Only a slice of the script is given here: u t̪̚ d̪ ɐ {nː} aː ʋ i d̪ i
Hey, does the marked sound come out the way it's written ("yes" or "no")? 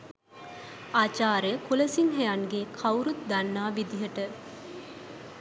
yes